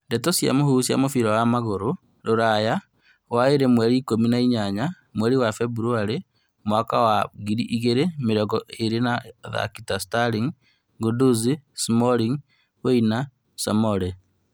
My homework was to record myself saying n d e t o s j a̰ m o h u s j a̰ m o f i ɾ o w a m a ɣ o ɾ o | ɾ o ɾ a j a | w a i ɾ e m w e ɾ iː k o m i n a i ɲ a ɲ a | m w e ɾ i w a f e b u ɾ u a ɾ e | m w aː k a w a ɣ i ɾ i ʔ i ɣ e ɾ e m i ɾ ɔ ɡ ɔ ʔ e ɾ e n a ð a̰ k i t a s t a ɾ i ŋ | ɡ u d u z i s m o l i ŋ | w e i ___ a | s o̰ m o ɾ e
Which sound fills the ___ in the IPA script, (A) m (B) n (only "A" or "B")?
B